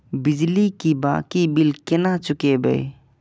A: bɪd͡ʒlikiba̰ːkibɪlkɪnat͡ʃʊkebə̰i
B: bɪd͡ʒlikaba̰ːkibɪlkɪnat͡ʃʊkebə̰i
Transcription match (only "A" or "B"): A